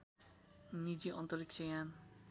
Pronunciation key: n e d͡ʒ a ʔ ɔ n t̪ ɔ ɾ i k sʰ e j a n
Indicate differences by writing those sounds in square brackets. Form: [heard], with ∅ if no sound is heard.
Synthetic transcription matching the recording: n [i] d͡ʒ [i] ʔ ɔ n t̪ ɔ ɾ i k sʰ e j a n